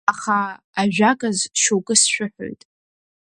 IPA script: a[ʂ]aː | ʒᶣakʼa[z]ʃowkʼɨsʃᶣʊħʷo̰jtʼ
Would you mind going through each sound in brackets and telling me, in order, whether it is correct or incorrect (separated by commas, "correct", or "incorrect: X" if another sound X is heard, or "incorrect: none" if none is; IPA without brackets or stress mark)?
incorrect: χ, correct